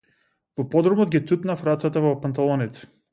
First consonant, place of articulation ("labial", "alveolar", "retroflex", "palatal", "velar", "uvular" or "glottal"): labial